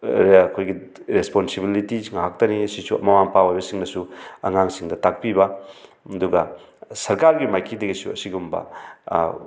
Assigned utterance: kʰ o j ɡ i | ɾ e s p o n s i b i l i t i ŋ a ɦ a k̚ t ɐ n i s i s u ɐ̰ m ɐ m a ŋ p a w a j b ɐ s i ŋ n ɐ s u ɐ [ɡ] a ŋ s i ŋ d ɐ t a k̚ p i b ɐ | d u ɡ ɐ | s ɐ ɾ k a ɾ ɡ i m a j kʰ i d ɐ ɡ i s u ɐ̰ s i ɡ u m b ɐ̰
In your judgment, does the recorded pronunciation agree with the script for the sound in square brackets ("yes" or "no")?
no